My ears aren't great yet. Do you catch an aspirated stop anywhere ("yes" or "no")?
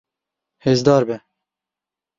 no